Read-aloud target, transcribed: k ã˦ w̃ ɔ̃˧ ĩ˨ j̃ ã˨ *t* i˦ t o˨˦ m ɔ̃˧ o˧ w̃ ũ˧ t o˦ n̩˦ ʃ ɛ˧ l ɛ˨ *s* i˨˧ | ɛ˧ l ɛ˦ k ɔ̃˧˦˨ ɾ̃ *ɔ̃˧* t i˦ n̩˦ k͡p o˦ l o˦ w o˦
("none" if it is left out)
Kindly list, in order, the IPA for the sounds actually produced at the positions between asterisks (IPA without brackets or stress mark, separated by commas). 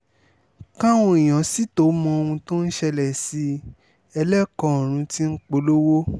s, s, ũ˧